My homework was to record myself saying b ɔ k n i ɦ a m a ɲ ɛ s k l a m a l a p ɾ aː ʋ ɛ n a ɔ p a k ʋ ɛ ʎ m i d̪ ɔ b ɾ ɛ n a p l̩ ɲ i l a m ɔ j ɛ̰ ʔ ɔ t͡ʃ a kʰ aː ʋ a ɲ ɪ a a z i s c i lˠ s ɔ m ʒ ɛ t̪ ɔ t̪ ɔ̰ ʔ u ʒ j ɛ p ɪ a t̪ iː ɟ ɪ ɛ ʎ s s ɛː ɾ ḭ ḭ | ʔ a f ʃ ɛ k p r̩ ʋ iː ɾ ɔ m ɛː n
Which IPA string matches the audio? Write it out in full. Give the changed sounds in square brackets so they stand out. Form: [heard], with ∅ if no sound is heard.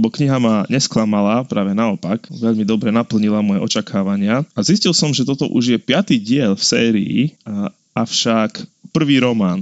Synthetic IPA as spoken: b ɔ k [ɲ] i ɦ a m a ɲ ɛ s k l a m a l a p ɾ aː ʋ ɛ n a ɔ p a k ʋ ɛ ʎ m i d̪ ɔ b ɾ ɛ n a p l̩ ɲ i l a m ɔ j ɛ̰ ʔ ɔ t͡ʃ a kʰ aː ʋ a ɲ ɪ a a z i s c i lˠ s ɔ m ʒ ɛ t̪ ɔ t̪ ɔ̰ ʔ u ʒ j ɛ p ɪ a t̪ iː ɟ ɪ ɛ ʎ [f] s ɛː ɾ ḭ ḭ | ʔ a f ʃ [a] k p r̩ ʋ iː ɾ ɔ m [aː] n